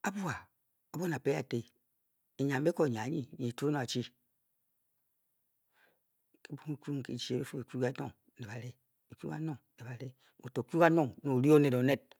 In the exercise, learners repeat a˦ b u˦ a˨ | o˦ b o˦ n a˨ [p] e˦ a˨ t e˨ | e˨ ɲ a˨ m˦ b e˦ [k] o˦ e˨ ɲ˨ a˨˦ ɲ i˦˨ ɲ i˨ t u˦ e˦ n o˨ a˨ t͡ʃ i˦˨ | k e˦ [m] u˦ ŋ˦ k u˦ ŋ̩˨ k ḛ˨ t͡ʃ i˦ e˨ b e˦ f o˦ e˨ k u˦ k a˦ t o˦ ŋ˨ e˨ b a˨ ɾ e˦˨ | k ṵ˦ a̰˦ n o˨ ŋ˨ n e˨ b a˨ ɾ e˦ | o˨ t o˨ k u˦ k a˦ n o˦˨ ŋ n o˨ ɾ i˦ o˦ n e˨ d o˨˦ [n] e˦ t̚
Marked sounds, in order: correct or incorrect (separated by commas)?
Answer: correct, correct, incorrect, correct